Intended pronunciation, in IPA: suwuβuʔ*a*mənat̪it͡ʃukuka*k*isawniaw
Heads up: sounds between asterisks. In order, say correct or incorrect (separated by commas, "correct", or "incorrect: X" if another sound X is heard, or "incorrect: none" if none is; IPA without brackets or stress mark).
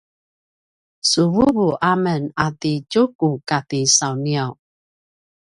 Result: correct, incorrect: t